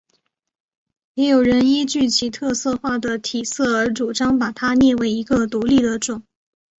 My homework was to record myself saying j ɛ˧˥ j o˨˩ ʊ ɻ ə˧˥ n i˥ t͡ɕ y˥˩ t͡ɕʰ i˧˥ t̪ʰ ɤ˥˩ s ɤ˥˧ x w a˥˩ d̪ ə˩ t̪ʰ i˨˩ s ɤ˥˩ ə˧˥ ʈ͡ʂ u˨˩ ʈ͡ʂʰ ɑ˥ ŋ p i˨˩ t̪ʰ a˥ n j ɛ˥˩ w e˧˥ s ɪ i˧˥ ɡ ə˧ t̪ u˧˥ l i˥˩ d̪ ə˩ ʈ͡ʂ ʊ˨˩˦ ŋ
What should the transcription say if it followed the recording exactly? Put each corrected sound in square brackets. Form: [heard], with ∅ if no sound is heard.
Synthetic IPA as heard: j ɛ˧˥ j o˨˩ ʊ ɻ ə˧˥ n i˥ t͡ɕ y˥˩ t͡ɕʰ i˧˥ t̪ʰ [ɤ˥˧] s ɤ˥˧ x w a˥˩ d̪ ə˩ t̪ʰ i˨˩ s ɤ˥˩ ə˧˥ ʈ͡ʂ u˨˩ [ʈ͡ʂ] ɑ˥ ŋ p [a˨˩] t̪ʰ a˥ n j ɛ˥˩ w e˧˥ [∅] ɪ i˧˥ ɡ ə˧ t̪ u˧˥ l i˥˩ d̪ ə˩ ʈ͡ʂ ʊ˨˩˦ ŋ